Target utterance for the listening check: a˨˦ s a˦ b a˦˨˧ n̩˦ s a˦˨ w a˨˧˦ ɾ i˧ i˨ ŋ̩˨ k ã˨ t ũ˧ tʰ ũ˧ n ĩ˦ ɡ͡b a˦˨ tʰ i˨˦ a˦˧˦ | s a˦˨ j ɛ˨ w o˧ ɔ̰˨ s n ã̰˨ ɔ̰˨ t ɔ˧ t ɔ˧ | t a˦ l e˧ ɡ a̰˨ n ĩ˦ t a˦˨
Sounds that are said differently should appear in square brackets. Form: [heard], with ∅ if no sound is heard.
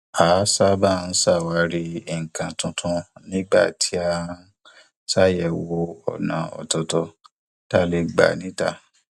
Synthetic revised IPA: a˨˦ s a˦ b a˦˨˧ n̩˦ s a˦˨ w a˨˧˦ ɾ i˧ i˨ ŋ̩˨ k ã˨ t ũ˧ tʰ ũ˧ n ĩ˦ ɡ͡b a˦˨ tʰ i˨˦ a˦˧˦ | s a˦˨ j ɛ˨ w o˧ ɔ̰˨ [∅] n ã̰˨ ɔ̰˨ t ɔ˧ t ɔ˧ | t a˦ l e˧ [ɡ͡b] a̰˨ n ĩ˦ t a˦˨

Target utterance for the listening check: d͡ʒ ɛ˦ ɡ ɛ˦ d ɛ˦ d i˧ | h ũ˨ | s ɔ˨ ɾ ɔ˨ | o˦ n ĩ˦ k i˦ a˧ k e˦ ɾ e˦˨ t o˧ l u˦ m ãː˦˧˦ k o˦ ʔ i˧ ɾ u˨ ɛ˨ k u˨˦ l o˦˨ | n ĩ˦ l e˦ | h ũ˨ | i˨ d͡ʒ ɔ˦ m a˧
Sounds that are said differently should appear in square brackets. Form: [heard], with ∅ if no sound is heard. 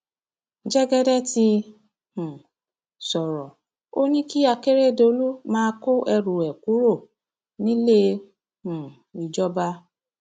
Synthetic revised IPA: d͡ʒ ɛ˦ ɡ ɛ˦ d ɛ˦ [t] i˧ | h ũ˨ | s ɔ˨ ɾ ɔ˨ | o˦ n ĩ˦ k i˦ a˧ k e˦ ɾ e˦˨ [d] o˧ l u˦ m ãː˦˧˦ k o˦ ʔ [ɛ˧] ɾ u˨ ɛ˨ k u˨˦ [ɾ] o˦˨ | n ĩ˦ l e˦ | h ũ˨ | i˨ d͡ʒ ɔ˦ [b] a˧

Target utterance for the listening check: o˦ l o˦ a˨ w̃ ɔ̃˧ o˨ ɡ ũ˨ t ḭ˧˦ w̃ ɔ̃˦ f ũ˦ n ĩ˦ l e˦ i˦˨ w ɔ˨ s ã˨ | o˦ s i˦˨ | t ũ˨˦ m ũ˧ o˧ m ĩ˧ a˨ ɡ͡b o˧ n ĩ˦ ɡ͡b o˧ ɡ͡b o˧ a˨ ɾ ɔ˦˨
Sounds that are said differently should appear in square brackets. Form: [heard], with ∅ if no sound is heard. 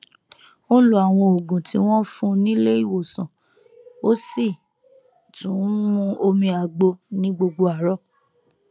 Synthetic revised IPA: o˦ l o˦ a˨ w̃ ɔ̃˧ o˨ ɡ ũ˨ t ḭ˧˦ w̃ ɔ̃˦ f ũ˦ n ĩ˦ l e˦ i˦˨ w [o˨] s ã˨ | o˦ s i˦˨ | t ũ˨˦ m ũ˧ o˧ m ĩ˧ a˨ ɡ͡b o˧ n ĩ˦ ɡ͡b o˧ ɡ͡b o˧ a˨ ɾ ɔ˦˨

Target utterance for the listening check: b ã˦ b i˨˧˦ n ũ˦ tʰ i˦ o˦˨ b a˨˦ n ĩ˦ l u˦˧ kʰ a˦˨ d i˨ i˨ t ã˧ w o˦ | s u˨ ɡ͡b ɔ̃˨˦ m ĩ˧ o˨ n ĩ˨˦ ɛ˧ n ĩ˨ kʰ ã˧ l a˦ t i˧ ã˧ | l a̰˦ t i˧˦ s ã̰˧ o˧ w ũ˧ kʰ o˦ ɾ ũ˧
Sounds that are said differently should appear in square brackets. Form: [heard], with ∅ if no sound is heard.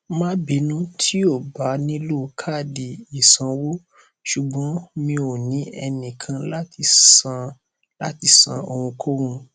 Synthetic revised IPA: [m] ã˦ b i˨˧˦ n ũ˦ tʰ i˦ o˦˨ b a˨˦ n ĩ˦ l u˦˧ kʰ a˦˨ d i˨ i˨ [s] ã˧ w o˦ | [ʃ] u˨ ɡ͡b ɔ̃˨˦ m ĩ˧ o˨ n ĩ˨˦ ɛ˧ n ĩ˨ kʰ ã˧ l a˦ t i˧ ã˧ | l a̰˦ t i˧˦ s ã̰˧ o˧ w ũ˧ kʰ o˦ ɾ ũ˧

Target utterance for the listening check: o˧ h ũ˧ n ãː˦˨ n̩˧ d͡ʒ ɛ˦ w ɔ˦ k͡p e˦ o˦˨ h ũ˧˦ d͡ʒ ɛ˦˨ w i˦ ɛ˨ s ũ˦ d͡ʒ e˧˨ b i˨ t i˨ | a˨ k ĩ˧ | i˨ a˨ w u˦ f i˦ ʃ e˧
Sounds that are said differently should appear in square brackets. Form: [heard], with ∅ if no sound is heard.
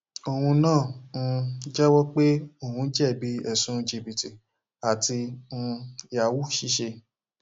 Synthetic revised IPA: o˧ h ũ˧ n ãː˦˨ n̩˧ d͡ʒ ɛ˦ w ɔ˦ k͡p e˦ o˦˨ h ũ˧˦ d͡ʒ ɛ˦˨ [b] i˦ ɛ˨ s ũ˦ d͡ʒ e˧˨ b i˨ t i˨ | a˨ [t] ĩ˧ | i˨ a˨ w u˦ [ʃ] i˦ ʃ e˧

